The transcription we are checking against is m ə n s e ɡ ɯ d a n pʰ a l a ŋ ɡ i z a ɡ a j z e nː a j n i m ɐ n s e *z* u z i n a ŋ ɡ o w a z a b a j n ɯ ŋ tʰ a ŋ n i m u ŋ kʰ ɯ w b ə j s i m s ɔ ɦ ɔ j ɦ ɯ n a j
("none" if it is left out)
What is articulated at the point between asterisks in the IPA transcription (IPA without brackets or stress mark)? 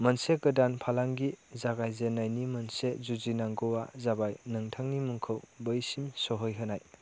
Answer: z